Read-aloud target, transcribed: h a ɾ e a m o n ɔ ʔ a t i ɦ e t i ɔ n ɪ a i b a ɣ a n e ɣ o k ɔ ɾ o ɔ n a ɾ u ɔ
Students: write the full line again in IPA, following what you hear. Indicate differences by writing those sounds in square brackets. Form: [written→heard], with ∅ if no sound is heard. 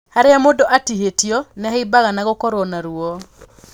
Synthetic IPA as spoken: h a ɾ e a m o [n→d] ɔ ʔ a t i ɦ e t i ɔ n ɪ a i b a ɣ a n [e→a] ɣ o k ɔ ɾ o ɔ n a ɾ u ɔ